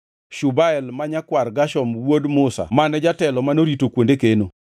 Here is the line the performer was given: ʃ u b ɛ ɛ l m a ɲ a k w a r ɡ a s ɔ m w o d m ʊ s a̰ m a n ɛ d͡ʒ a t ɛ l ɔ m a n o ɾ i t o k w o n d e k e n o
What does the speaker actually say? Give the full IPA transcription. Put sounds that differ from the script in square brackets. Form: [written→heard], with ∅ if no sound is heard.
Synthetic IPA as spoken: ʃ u b [ɛ→a] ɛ l m a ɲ a k w a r ɡ a [s→ʃ] ɔ m w o d m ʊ s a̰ m a n ɛ d͡ʒ a t ɛ l ɔ m a n o ɾ i t o k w o n d e k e n o